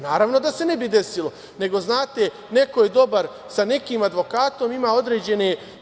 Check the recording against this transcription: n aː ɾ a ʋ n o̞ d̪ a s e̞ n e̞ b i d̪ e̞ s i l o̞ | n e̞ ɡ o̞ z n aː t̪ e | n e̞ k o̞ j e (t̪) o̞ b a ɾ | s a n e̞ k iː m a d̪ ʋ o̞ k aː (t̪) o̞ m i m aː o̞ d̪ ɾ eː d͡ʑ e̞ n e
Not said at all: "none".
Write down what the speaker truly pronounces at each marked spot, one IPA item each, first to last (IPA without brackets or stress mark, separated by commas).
d̪, t̪